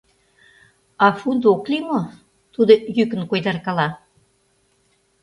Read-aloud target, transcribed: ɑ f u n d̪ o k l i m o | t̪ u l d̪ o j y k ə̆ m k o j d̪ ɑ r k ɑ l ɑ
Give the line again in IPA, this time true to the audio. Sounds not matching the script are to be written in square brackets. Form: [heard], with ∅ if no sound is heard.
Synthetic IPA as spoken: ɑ f u n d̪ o k l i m o | t̪ u [∅] d̪ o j y k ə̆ [n] k o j d̪ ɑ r k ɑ l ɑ